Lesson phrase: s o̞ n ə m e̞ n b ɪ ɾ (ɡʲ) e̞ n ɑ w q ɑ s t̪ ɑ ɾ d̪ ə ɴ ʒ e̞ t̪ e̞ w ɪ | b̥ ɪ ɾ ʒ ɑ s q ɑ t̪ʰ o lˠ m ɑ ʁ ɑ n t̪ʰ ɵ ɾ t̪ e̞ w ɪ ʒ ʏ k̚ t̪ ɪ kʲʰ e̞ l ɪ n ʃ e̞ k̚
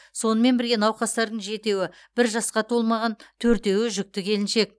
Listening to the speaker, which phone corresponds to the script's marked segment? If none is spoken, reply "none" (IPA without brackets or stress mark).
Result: ɡʲ